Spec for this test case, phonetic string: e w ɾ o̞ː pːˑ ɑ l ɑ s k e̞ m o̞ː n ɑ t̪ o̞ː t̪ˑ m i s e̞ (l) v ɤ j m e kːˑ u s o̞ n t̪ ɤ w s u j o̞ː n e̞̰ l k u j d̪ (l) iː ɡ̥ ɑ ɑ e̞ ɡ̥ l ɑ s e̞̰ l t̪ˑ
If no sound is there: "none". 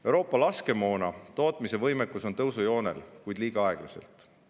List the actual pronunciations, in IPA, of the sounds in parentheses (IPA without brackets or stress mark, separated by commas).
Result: none, l